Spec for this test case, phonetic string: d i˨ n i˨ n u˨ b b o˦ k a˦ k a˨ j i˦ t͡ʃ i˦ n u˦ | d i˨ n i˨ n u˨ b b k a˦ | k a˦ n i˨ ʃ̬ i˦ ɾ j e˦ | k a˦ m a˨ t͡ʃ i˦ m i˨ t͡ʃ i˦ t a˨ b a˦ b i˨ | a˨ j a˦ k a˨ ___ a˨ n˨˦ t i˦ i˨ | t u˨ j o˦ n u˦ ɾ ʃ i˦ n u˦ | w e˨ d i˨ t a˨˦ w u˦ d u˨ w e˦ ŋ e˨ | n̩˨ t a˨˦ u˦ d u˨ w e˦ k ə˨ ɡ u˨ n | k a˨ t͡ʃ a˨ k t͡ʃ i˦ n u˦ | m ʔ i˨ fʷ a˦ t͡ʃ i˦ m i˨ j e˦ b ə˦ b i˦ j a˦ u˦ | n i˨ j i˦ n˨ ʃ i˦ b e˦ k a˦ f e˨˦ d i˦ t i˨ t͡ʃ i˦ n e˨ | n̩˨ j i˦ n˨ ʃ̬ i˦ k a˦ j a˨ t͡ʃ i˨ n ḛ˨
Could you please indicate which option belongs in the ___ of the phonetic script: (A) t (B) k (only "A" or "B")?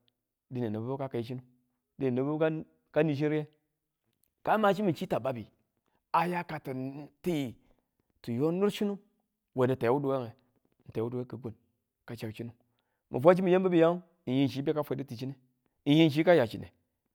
A